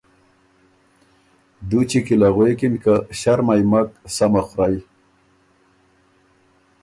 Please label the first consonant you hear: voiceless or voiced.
voiced